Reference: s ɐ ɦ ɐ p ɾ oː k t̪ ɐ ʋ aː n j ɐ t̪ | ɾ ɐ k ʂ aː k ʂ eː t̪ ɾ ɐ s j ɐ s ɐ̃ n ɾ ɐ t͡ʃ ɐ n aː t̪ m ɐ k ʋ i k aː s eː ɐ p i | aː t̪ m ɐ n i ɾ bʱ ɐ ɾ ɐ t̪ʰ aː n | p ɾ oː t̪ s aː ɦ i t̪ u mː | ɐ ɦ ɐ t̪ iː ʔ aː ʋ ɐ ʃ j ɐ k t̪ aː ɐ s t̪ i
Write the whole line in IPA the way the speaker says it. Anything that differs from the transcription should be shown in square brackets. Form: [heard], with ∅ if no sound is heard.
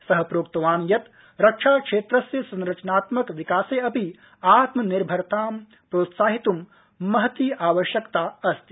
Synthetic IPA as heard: s ɐ ɦ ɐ p ɾ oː k t̪ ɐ ʋ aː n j ɐ t̪ | ɾ ɐ k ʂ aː k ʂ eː t̪ ɾ ɐ s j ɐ s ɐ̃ n ɾ ɐ t͡ʃ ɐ n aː t̪ m ɐ k ʋ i k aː s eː ɐ p i | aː t̪ m ɐ n i ɾ bʱ ɐ ɾ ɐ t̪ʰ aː [m] | p ɾ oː t̪ s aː ɦ i t̪ u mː | ɐ ɦ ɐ t̪ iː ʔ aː ʋ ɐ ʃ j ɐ k t̪ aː ɐ s t̪ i